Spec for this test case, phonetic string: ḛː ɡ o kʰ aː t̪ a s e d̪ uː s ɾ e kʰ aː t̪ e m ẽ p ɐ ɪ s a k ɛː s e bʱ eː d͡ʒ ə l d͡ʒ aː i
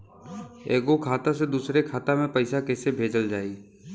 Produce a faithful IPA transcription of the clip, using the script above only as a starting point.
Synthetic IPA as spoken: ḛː ɡ o kʰ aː t̪ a s e d̪ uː s ɾ e kʰ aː t̪ a m ẽ p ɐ ɪ s a k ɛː s e bʱ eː d͡ʒ ə l d͡ʒ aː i